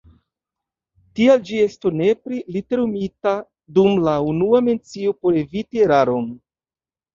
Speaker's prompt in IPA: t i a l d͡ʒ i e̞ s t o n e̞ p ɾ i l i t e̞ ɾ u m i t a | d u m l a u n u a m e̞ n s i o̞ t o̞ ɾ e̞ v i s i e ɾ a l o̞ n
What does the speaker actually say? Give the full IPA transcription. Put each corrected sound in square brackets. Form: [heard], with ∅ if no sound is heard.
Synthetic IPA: t i a l d͡ʒ i e̞ s t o n e̞ p ɾ i l i t e̞ ɾ u m i t a | d u m l a u n u a m e̞ n [t͡s] i o̞ [p] o̞ ɾ e̞ v i [t] i e ɾ a [ɾ] o̞ n